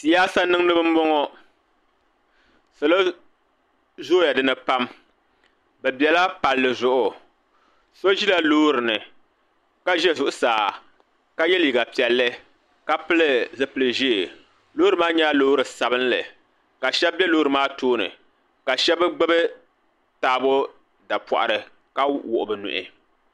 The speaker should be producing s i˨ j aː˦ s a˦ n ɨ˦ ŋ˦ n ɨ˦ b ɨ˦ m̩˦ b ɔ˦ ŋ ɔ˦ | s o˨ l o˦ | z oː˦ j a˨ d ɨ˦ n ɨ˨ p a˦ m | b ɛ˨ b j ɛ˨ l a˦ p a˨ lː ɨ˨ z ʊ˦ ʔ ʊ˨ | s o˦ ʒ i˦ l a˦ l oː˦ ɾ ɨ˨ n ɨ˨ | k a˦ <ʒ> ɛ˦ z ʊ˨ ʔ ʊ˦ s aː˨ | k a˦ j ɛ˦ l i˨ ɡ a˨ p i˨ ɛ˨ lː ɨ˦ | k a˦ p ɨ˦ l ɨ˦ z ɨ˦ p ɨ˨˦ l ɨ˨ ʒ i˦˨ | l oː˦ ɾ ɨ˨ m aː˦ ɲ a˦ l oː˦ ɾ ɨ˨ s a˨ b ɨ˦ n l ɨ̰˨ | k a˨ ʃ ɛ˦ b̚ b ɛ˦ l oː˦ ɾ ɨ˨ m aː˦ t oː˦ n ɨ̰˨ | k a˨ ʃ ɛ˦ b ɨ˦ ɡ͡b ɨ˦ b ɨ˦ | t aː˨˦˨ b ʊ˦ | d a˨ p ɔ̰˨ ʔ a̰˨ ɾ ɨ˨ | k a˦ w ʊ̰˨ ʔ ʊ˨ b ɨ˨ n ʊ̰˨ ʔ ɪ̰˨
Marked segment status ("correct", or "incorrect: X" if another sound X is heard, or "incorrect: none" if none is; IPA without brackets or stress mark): correct